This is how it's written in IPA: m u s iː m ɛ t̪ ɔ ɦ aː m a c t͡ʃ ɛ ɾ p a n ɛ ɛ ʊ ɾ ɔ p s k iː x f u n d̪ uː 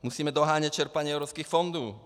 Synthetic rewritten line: m u s iː m ɛ d̪ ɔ ɦ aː ɲ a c t͡ʃ ɛ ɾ p a ɲ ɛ ɛ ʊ ɾ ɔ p s k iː x f ɔ n d̪ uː